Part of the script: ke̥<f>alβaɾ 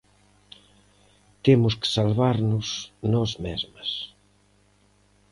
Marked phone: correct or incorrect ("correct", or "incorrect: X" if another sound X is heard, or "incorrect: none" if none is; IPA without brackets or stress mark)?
incorrect: s